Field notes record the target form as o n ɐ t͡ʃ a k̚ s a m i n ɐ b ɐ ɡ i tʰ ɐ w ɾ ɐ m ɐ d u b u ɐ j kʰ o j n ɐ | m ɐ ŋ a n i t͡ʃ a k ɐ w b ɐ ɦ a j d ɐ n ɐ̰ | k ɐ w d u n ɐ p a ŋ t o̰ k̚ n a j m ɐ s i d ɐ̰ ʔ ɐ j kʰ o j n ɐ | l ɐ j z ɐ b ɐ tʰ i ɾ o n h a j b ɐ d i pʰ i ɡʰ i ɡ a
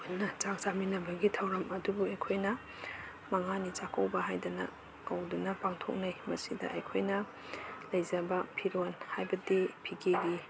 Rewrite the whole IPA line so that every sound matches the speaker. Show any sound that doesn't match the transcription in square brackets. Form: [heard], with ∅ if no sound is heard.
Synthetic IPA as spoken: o n ɐ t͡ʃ a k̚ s a m i n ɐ b ɐ ɡ i tʰ ɐ w ɾ ɐ m ɐ d u b u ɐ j kʰ o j n ɐ | m ɐ ŋ a n i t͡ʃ a k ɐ w b ɐ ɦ a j d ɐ n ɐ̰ | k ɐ w d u n ɐ p a ŋ [tʰ] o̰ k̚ n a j m ɐ s i d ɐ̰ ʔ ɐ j kʰ o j n ɐ | l ɐ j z ɐ b ɐ [pʰ] i ɾ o n h a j b ɐ d i pʰ i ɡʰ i ɡ [i]